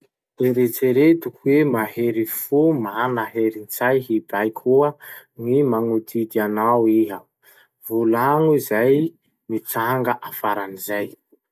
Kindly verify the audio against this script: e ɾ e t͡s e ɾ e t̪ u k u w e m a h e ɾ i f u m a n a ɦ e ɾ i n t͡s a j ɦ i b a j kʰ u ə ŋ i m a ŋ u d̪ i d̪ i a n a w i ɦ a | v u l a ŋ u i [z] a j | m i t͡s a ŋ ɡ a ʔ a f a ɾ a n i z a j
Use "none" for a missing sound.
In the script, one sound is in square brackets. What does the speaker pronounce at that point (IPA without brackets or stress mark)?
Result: z